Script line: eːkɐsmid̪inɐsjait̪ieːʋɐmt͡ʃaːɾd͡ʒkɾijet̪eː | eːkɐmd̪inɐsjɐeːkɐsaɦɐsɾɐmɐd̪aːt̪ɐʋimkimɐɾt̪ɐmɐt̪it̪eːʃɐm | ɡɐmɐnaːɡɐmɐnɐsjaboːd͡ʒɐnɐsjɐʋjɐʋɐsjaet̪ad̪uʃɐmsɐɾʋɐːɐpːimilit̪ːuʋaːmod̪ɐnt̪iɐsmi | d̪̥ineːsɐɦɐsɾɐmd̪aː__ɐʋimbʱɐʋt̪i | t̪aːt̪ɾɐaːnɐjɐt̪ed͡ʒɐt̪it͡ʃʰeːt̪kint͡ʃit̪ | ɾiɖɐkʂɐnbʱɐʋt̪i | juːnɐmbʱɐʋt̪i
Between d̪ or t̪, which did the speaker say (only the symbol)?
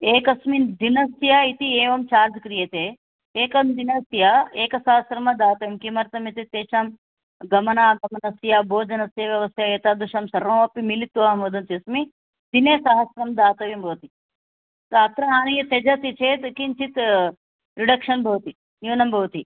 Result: t̪